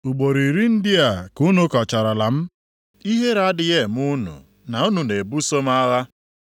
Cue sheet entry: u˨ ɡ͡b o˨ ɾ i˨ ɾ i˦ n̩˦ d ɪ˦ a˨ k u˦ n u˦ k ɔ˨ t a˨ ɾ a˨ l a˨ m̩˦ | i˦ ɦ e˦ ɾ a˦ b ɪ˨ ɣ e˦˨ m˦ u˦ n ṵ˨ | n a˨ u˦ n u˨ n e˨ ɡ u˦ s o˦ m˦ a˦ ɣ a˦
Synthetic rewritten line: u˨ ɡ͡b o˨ ɾ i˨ ɾ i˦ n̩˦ d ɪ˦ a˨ k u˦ n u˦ k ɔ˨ t͡ʃ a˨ ɾ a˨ l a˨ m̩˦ | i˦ ɦ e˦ ɾ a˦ d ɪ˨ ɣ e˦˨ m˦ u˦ n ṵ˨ | n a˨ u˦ n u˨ n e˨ b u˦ s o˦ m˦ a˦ ɣ a˦